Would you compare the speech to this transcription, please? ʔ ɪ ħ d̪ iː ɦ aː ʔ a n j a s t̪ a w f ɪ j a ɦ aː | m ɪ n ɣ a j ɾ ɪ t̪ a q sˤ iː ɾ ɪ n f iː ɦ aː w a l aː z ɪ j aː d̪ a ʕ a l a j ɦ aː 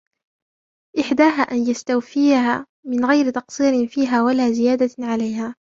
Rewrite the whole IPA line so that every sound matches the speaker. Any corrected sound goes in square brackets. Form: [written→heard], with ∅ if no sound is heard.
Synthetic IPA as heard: ʔ ɪ ħ d̪ [iː→aː] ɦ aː ʔ a n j a s t̪ a w f ɪ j a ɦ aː | m ɪ n ɣ a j ɾ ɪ t̪ [a→ɑ] q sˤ iː ɾ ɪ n f iː ɦ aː w a l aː z ɪ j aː d̪ a ʕ a l a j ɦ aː